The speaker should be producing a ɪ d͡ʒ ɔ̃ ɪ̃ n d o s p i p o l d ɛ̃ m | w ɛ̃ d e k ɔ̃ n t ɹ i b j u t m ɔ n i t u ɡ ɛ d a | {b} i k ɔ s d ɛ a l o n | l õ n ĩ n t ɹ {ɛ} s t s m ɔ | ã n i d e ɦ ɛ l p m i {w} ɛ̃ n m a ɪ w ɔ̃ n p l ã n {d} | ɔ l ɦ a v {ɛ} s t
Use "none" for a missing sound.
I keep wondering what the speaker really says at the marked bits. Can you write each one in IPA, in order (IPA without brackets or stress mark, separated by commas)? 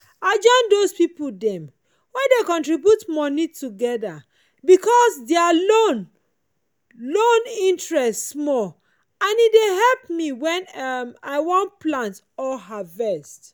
b, ɛ, w, t, ɛ